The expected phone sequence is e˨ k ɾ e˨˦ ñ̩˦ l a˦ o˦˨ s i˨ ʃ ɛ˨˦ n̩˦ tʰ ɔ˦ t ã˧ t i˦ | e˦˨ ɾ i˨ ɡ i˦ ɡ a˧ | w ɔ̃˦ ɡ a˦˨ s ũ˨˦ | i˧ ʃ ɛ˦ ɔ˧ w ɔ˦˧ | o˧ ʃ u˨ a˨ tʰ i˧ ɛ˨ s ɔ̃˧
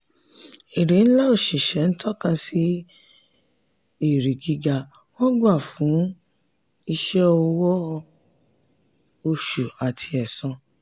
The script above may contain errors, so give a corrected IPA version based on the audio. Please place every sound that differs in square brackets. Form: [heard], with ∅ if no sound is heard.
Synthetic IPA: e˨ [∅] ɾ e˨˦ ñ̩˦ l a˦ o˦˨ [ʃ] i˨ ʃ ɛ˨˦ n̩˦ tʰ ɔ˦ [k] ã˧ [s] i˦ | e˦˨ ɾ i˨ ɡ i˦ ɡ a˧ | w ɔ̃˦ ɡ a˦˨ [f] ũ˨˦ | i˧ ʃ ɛ˦ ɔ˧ w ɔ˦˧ | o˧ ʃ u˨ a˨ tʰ i˧ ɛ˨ s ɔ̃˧